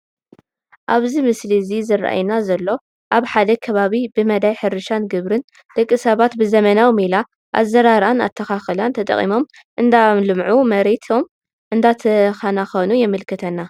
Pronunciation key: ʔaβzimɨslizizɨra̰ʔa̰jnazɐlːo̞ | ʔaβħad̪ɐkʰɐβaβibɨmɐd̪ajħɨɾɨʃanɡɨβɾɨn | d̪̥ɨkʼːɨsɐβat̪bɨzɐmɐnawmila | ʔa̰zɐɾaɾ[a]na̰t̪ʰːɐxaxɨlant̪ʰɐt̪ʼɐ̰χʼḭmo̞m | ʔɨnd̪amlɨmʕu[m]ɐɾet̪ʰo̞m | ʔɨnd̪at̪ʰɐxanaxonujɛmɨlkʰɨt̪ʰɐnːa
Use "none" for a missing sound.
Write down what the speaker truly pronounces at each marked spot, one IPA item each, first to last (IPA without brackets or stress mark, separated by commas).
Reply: a, m